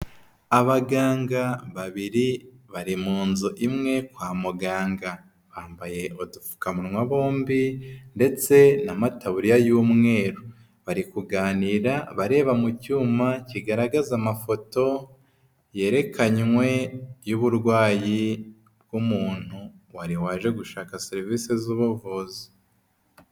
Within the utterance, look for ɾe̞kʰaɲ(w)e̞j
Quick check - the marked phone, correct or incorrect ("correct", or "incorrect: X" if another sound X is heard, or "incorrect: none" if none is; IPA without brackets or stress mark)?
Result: correct